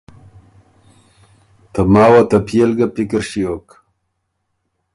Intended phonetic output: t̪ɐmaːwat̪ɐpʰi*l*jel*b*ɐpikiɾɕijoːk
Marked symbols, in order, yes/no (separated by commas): no, no